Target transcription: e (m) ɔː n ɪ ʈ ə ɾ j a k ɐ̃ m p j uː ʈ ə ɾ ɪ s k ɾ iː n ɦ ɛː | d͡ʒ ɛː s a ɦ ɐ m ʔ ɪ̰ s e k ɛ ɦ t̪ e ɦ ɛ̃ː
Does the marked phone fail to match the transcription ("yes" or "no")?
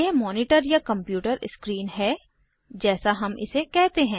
no